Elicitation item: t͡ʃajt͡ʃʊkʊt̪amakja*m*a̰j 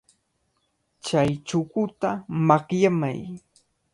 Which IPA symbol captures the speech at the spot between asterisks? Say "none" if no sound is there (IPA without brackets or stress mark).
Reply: m